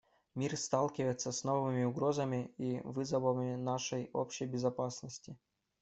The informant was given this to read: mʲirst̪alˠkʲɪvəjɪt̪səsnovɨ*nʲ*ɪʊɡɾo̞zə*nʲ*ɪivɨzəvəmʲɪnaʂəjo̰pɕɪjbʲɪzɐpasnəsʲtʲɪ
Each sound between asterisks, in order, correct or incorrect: incorrect: mʲ, incorrect: mʲ

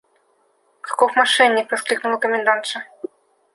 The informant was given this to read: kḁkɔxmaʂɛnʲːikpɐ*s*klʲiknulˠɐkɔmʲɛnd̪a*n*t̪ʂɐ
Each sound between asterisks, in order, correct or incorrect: correct, correct

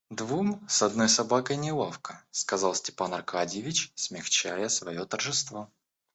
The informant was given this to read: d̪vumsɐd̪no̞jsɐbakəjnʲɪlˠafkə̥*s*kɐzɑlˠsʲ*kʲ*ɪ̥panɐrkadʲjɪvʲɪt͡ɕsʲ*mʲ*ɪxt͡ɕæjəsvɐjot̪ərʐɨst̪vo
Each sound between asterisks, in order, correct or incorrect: correct, incorrect: tʲ, correct

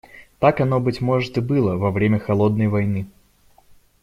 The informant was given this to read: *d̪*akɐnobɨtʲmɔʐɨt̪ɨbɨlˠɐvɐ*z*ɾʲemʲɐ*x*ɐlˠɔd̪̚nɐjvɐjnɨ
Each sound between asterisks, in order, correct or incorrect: incorrect: t̪, incorrect: v, correct

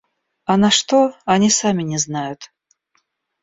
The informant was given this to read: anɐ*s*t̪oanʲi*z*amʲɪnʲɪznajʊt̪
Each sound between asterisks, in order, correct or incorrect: incorrect: ʂ, incorrect: s

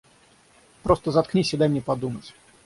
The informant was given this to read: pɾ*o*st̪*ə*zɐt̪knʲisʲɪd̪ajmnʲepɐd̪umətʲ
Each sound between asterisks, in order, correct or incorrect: correct, correct

